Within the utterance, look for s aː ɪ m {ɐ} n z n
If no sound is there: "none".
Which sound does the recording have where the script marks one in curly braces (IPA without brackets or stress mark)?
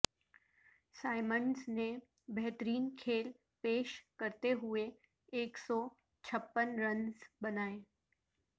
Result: ə